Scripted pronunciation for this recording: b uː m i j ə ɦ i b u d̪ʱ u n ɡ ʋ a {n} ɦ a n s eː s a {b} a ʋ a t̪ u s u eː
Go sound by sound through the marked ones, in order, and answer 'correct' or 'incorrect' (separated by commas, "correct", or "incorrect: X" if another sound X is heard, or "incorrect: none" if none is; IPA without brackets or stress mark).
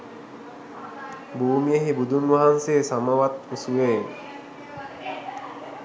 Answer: incorrect: none, incorrect: m